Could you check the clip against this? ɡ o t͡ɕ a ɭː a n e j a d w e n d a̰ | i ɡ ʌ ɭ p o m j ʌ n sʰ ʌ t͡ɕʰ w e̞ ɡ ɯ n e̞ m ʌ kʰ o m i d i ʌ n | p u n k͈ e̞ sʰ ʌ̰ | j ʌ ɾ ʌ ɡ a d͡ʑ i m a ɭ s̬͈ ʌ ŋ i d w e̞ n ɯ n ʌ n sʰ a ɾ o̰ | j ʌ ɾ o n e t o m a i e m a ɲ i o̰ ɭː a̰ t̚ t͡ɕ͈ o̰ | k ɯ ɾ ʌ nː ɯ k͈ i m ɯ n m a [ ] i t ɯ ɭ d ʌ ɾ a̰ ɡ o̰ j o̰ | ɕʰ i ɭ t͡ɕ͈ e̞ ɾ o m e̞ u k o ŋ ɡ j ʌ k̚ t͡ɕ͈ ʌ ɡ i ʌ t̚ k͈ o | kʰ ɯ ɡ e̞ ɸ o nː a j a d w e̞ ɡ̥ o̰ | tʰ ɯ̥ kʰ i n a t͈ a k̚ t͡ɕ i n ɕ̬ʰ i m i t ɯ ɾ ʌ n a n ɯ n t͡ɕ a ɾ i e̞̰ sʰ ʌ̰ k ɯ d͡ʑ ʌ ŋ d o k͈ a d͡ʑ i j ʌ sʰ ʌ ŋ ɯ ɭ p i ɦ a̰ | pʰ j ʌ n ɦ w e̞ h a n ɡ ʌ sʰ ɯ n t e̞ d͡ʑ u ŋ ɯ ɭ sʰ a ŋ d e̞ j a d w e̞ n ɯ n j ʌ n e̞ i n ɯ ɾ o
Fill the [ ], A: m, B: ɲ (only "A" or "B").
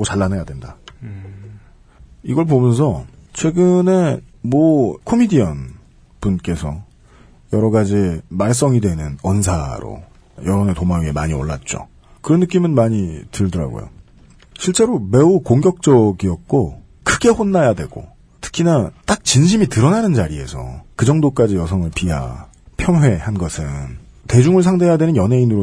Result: B